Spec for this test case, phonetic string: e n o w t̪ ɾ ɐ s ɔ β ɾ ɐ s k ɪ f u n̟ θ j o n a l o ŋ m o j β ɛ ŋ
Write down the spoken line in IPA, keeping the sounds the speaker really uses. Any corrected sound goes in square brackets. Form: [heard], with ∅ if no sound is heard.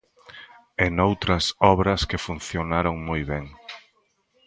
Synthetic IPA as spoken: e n o w t̪ ɾ ɐ s ɔ β ɾ ɐ s k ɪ f u n̟ θ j o n a [ɾ] o ŋ m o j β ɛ ŋ